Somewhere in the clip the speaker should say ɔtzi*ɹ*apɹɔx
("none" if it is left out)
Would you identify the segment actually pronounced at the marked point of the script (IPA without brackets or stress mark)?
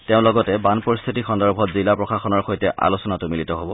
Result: l